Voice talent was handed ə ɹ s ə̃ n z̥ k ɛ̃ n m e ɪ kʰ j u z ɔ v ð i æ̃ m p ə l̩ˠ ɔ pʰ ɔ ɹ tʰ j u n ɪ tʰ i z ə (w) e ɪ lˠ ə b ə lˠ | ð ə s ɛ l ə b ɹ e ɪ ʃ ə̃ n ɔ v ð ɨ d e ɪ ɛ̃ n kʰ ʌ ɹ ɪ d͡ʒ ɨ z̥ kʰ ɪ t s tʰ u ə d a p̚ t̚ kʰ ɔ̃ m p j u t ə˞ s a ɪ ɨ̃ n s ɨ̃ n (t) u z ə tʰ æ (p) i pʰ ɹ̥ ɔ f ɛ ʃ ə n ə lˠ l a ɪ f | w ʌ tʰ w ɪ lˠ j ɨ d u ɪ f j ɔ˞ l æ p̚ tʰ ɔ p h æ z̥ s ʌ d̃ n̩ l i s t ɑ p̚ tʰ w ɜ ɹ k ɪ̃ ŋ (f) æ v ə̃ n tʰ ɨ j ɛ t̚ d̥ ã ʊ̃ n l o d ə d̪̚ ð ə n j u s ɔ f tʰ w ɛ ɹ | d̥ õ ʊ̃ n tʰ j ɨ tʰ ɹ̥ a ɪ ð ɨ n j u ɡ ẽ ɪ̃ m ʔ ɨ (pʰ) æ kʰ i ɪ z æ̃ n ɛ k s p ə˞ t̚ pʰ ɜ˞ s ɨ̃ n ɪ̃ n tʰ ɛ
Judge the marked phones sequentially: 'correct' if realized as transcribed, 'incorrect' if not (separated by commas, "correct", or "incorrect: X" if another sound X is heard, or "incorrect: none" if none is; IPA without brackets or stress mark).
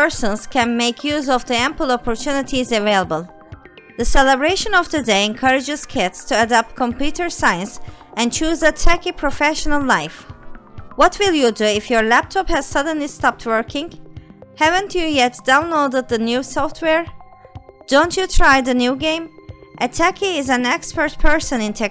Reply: incorrect: v, incorrect: t͡ʃ, incorrect: k, incorrect: h, incorrect: tʰ